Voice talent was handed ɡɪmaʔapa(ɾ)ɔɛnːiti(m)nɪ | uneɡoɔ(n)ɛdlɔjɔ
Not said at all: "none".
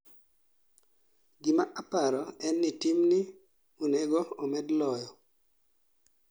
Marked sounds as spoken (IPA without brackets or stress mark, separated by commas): ɾ, m, m